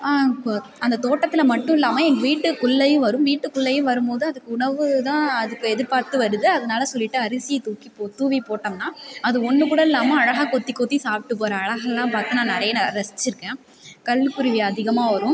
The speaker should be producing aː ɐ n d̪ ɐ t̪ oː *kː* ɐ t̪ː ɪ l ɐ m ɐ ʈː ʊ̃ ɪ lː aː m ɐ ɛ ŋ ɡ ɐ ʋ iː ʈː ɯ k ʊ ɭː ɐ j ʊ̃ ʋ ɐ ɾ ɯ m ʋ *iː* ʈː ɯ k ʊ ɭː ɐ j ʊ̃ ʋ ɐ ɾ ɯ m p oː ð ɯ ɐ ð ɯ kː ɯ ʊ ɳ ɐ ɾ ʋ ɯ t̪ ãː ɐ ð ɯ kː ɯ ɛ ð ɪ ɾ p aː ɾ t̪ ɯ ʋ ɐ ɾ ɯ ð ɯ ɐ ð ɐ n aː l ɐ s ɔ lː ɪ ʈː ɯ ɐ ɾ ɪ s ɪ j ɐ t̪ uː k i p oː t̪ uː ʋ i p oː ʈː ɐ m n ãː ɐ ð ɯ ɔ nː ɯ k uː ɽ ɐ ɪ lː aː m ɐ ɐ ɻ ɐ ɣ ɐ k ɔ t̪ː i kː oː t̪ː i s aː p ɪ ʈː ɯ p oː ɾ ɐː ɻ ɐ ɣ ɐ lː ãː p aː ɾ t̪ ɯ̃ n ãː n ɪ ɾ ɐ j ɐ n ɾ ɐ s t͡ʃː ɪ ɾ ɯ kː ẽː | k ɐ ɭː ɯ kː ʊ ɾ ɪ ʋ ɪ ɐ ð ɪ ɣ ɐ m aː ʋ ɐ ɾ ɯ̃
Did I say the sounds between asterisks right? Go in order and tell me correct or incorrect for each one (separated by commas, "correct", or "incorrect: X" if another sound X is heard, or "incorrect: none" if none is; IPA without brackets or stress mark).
incorrect: ʈː, correct